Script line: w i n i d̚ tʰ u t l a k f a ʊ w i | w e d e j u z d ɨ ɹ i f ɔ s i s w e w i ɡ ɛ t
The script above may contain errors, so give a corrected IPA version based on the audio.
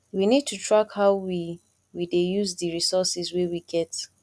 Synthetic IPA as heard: w i n i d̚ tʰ u t ɹ a k h a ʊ w i | w i d e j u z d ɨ ɹ i s ɔ s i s w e w i ɡ ɛ t